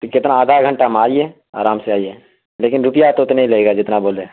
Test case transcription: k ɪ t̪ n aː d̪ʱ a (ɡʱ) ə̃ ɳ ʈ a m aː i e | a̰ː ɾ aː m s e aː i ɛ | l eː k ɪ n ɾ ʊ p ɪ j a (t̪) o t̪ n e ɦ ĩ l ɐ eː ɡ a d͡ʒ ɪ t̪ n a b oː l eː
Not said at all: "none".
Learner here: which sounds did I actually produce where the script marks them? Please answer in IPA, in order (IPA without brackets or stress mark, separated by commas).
ɡʱ, t̪